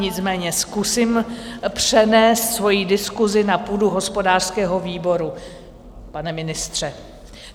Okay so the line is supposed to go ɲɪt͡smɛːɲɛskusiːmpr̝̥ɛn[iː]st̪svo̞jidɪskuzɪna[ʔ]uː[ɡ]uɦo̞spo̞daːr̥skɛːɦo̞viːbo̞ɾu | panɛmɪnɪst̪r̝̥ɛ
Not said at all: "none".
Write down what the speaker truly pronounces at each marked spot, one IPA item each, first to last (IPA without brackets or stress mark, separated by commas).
ɛː, p, d